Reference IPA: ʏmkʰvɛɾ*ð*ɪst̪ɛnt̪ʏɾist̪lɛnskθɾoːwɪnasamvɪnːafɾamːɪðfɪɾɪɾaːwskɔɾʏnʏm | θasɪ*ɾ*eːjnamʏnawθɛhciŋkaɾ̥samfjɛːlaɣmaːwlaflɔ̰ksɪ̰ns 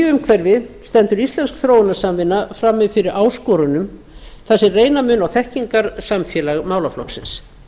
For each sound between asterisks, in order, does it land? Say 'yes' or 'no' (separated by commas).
no, no